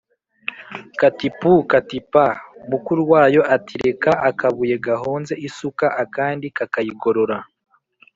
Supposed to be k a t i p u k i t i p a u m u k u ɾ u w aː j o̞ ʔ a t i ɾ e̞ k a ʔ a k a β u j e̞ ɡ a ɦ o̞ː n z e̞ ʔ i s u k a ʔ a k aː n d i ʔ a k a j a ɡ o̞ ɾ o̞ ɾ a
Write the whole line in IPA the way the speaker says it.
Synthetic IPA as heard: k a t i p u k a t i p a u m u k u ɾ u w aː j o̞ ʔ a t i ɾ e̞ k a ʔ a k a β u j e̞ ɡ a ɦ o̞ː n z e̞ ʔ i s u k a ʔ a k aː n d i k a k a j i ɡ o̞ ɾ o̞ ɾ a